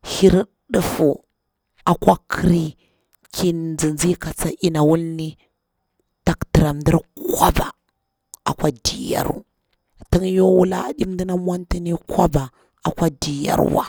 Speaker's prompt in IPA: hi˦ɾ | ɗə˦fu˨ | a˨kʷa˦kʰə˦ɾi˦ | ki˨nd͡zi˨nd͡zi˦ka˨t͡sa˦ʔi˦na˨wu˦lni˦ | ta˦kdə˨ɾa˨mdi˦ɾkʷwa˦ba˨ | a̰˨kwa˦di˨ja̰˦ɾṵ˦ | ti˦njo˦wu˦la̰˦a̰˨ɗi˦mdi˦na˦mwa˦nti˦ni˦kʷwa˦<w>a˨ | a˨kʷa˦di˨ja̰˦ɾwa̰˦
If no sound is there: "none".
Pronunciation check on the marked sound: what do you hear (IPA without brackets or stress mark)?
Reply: b